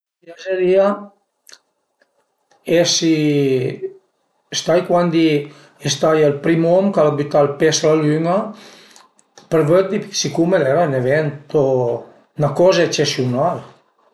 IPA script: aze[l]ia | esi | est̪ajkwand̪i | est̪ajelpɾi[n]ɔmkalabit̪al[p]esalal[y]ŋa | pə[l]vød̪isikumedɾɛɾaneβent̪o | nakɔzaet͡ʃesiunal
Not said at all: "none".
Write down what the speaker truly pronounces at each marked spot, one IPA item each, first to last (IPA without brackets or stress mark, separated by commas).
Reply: ɾ, m, p, y, ɾ